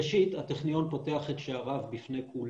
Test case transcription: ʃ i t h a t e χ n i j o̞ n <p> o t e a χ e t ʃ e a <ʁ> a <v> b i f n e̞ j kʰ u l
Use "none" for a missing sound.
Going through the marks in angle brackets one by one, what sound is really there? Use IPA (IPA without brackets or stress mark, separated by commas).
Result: p, ʁ, v